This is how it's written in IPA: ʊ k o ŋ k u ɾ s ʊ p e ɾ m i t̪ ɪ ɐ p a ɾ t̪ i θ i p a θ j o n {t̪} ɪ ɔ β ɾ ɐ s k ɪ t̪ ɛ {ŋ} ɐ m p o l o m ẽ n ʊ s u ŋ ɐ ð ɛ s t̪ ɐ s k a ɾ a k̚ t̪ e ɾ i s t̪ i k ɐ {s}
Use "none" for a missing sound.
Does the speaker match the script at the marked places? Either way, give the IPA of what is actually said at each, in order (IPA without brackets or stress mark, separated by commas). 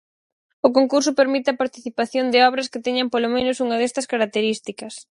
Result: d̪, ɲ, s